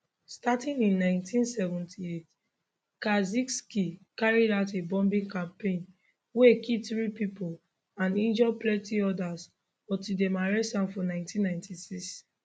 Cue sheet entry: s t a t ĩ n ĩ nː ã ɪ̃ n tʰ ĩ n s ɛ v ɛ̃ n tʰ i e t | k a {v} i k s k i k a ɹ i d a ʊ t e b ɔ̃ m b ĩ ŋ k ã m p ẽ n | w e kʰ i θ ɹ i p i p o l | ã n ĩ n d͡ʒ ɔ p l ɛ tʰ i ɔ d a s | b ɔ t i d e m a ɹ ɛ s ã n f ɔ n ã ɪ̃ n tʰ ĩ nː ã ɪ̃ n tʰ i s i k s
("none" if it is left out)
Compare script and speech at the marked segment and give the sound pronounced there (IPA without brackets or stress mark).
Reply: z